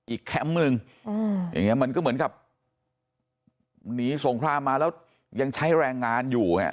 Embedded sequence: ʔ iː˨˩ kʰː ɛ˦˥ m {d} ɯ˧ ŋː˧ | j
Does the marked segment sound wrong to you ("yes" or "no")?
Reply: yes